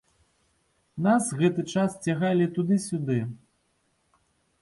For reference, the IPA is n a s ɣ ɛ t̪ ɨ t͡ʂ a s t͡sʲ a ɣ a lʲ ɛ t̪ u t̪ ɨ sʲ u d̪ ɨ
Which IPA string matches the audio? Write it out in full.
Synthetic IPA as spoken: n a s ɣ ɛ t̪ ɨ t͡ʂ a s t͡sʲ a ɣ a lʲ i t̪ u d̪ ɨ sʲ u d̪ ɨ